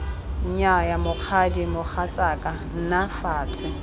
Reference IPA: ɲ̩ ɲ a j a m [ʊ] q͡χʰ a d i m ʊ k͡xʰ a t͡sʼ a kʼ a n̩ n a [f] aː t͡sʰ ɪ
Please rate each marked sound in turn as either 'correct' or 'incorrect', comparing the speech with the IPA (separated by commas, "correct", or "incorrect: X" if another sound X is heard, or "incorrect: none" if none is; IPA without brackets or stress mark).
correct, correct